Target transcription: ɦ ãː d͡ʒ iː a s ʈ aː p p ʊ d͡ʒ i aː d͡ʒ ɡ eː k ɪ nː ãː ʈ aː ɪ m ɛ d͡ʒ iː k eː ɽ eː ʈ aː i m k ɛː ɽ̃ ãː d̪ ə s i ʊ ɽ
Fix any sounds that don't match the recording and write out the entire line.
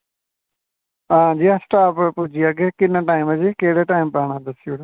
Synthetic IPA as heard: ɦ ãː d͡ʒ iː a s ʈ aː p p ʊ d͡ʒ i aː ɡ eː k ɪ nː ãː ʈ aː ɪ m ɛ d͡ʒ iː k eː ɽ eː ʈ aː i m p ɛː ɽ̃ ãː d̪ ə s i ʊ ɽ